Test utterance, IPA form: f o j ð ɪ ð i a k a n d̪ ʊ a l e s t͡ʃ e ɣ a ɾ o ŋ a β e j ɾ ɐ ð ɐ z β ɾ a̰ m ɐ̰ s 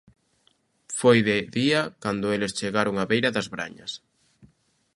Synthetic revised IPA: f o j ð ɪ ð i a k a n d̪ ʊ e l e s t͡ʃ e ɣ a ɾ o ŋ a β e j ɾ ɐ ð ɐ z β ɾ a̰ ɲ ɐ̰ s

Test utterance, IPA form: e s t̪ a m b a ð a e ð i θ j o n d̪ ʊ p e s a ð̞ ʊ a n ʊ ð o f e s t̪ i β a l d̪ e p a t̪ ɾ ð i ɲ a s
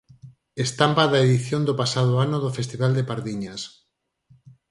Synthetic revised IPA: e s t̪ a m p a ð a e ð i θ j o n d̪ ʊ p a s a ð̞ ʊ a n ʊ ð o f e s t̪ i β a l d̪ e p a ɾ ð i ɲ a s

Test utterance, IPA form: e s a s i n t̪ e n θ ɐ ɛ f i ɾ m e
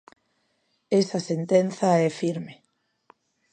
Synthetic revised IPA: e s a s e n t̪ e n θ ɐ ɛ f i ɾ m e

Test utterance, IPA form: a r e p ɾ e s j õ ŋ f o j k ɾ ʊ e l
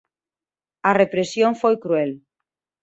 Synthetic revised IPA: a r e p ɾ e s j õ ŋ f o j k ɾ u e l

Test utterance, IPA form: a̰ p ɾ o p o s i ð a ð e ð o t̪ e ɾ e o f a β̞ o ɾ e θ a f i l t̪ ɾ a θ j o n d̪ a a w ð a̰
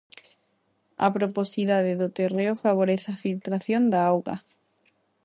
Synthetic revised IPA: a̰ p ɾ o p o s i ð a ð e ð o t̪ e r e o f a β̞ o ɾ e θ a f i l t̪ ɾ a θ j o n d̪ a a w ɣ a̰

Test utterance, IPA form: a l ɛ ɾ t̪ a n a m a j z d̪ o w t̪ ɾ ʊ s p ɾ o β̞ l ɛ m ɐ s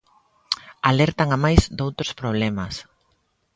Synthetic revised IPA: a l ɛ ɾ t̪ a ŋ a m a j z d̪ o w t̪ ɾ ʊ s p ɾ o β̞ l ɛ m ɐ s

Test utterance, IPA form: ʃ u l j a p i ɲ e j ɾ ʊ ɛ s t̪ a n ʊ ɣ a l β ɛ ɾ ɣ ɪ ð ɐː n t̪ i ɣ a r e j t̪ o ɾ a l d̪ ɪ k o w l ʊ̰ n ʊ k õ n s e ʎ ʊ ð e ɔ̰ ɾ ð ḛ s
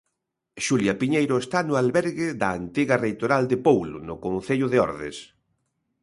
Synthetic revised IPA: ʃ u l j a p i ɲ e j ɾ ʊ e s t̪ a n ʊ a l β ɛ ɾ ɣ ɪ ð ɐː n t̪ i ɣ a r e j t̪ o ɾ a l d̪ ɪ p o w l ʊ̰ n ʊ k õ n θ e ʎ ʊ ð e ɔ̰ ɾ ð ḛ s

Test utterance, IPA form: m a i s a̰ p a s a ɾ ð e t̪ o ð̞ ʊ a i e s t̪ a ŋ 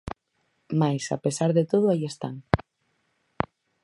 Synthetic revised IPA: m a j s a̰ p e s a ɾ ð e t̪ o ð̞ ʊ a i e s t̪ a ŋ

